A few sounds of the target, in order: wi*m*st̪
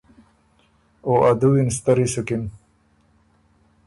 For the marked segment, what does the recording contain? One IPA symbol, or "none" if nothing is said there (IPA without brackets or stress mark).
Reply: n